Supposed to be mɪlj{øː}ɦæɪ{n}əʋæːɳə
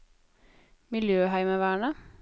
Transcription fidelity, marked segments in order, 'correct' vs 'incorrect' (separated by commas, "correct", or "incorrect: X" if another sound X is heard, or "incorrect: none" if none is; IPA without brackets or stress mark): correct, incorrect: m